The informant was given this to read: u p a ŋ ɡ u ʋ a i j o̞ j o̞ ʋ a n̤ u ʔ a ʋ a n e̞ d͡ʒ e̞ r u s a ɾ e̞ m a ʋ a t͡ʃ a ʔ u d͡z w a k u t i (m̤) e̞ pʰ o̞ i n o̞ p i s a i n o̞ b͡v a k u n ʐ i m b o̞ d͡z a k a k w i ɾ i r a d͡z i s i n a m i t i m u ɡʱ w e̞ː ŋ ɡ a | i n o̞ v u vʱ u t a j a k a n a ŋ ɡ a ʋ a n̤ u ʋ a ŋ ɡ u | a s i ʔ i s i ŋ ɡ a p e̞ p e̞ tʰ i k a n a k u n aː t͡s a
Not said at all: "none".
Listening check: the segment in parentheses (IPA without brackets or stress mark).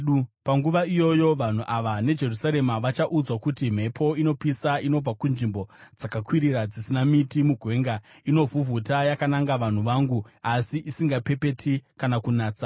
m̤